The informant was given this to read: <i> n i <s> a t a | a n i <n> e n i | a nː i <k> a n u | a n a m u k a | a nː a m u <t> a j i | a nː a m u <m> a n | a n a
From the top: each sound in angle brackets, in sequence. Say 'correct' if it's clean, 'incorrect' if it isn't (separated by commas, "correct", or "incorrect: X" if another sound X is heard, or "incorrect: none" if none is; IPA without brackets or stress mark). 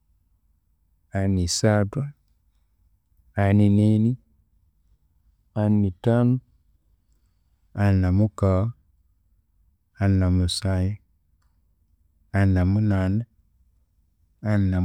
incorrect: a, correct, correct, incorrect: t, incorrect: s, incorrect: n